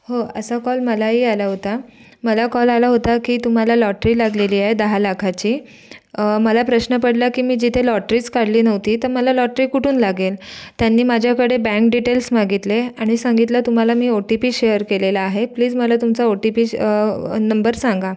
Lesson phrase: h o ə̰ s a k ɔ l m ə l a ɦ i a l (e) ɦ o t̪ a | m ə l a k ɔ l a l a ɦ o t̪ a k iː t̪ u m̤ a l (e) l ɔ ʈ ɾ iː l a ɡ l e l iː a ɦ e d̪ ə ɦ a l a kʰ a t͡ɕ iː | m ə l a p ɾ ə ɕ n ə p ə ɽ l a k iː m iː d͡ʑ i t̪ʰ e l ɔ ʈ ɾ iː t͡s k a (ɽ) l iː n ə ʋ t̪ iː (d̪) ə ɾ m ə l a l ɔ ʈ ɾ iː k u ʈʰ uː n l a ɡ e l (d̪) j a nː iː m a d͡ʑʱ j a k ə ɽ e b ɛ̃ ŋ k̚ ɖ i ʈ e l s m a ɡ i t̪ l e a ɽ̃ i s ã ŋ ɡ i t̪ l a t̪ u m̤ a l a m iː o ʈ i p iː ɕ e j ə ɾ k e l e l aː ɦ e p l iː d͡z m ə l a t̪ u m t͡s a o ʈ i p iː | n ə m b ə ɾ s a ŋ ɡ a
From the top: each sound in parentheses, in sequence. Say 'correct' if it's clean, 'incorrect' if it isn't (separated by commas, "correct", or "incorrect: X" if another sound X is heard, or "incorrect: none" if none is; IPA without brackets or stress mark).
incorrect: a, incorrect: a, correct, incorrect: t̪, incorrect: t̪